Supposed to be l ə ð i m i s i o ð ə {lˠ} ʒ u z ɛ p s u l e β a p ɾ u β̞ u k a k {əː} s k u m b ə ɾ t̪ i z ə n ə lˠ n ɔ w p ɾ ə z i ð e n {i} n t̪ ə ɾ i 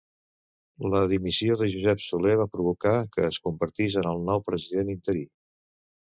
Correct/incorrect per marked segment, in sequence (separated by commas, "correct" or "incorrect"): incorrect, correct, correct